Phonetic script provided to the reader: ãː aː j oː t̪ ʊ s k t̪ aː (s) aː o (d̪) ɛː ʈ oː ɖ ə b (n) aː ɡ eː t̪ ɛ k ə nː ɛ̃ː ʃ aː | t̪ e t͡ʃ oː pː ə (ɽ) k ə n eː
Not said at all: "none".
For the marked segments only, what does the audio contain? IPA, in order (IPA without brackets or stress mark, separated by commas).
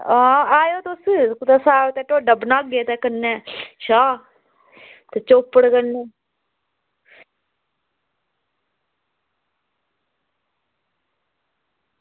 s, t̪, n, ɽ